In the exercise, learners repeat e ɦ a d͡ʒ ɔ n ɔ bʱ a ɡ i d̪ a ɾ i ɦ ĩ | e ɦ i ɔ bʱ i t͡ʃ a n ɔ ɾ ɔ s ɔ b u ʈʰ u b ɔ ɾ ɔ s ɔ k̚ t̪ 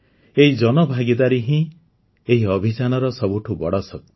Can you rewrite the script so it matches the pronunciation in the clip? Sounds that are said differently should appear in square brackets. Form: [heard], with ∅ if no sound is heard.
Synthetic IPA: e ɦ [i] d͡ʒ ɔ n ɔ bʱ a ɡ i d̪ a ɾ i ɦ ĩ | e ɦ i ɔ bʱ i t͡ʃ a n ɔ ɾ ɔ s ɔ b u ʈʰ u b ɔ [ɽ] ɔ s ɔ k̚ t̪